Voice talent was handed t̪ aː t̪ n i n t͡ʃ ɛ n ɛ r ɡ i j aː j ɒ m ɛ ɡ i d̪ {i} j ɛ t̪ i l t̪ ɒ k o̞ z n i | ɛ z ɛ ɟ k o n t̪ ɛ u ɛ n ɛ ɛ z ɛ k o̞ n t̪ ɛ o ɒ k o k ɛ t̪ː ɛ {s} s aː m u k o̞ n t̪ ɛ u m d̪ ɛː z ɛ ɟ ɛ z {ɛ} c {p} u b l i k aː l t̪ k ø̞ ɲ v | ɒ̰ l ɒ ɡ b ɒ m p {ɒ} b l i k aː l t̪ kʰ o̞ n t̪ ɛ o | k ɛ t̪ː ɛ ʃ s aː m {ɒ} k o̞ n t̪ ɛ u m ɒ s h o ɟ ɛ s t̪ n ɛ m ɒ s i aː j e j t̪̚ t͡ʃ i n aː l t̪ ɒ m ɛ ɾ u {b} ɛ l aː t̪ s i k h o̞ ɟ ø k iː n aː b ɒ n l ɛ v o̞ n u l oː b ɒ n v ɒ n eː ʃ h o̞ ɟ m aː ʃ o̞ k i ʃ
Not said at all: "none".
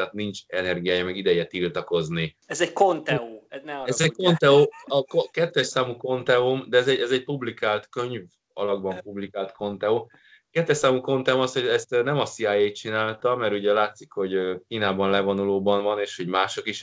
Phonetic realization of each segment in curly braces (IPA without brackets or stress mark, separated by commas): ɛ, ʃ, ɛ, p, u, u, ɟ